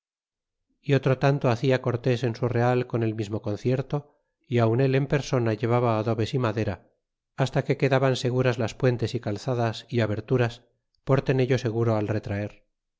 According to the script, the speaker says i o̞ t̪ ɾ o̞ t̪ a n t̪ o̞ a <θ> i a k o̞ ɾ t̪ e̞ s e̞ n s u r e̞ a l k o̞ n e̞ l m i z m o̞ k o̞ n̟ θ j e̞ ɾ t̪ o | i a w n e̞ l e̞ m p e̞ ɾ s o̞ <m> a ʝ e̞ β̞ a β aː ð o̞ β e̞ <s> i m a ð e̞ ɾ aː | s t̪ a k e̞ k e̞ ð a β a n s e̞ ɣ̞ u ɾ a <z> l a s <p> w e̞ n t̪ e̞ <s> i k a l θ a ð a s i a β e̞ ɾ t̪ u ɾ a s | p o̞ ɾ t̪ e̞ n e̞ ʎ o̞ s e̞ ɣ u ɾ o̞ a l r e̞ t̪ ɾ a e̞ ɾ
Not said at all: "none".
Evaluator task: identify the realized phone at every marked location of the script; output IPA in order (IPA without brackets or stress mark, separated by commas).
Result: θ, n, s, z, p, s